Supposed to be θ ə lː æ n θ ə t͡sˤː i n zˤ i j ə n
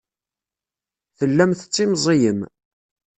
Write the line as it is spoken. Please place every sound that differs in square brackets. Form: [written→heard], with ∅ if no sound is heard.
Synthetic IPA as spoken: θ ə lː æ [n→m] θ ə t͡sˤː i [n→m] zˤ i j ə [n→m]